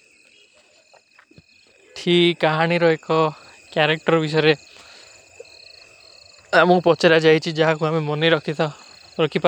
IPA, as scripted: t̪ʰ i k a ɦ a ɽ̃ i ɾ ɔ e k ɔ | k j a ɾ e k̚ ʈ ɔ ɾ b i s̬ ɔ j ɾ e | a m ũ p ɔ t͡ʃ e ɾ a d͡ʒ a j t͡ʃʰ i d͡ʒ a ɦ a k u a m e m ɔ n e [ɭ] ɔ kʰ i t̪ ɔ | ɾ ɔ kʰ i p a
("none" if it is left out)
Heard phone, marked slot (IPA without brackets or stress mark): ɾ